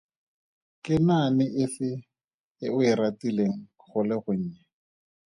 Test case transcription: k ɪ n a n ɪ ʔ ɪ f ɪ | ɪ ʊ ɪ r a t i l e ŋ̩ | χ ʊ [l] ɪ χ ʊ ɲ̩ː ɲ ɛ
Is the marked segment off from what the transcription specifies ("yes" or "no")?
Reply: no